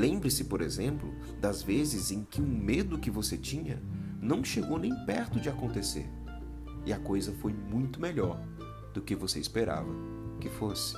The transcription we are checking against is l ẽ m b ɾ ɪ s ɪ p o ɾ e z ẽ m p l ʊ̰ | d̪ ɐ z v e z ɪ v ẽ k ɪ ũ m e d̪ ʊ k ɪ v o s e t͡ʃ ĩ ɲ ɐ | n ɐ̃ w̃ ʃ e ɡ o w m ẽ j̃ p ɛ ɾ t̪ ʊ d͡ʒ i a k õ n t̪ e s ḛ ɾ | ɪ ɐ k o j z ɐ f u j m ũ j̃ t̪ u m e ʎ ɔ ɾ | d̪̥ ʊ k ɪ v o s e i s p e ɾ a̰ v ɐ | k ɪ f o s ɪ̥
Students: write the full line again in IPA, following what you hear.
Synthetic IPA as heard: l ẽ m b ɾ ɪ s ɪ p o ɾ e z ẽ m p l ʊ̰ | d̪ ɐ z v e z ɪ z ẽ k ɪ ũ m e d̪ ʊ k ɪ v o s e t͡ʃ ĩ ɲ ɐ | n ɐ̃ w̃ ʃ e ɡ o w n ẽ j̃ p ɛ ɾ t̪ ʊ d͡ʒ ɪ a k õ n t̪ e s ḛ ɾ | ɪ ɐ k o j z ɐ f o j m ũ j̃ t̪ ʊ m e ʎ ɔ ɾ | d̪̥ ʊ k ɪ v o s e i s p e ɾ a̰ v ɐ | k ɪ f o s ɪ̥